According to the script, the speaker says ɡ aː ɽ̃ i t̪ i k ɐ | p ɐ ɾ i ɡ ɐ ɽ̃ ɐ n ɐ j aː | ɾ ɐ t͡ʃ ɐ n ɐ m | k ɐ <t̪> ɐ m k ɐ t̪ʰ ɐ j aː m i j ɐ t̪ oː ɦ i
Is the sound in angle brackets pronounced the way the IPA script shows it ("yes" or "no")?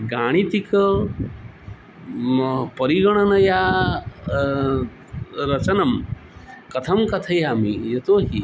no